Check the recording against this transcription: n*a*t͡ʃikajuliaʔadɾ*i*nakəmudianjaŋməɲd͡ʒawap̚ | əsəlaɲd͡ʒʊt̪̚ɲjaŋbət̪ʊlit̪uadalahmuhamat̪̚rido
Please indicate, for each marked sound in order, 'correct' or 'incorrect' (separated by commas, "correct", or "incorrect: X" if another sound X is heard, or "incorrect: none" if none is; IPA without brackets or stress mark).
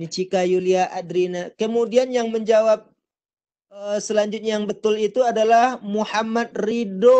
incorrect: i, correct